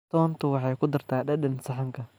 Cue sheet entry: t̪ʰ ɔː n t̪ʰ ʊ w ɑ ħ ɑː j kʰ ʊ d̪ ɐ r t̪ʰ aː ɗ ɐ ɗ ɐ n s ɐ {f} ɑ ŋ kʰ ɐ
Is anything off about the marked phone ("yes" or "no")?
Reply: yes